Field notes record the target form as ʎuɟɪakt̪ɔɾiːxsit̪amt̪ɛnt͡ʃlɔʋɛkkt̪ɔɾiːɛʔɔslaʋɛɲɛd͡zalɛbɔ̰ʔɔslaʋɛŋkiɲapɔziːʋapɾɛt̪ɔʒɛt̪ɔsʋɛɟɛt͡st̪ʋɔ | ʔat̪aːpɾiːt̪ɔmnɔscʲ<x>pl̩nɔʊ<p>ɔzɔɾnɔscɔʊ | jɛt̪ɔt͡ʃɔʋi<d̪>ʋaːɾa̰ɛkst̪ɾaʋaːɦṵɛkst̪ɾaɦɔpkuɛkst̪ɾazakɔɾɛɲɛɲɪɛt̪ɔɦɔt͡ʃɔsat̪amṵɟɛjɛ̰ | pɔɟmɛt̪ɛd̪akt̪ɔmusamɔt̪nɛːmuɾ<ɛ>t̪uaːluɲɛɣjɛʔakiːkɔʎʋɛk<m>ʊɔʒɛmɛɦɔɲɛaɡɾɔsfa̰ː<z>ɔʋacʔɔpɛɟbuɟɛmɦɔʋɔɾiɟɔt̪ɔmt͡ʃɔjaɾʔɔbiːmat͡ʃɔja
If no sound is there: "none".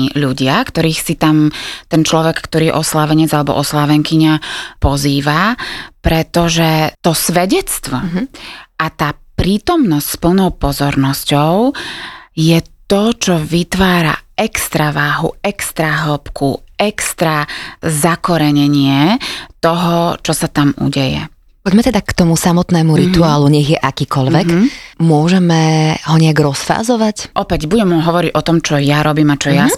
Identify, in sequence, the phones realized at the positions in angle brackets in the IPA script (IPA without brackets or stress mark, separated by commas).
s, p, t̪, i, m, z